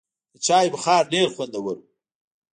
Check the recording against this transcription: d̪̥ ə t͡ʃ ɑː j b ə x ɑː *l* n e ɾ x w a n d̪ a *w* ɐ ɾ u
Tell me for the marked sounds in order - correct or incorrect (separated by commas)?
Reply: incorrect, correct